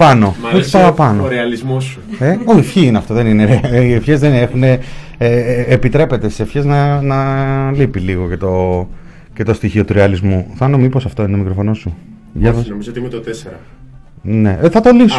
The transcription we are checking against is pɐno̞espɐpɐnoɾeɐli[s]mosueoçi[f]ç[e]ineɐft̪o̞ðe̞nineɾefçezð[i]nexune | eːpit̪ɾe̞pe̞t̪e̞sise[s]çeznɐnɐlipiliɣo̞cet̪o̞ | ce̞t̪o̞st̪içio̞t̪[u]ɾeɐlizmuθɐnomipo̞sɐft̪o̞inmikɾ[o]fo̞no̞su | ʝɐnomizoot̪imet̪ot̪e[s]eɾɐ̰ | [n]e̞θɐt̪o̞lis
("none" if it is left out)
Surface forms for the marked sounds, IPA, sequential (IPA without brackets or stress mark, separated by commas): z, f, i, e, f, u, o, s, n